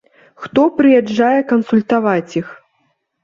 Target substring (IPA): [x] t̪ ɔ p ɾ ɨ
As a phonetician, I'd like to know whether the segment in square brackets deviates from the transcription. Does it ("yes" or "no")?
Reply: no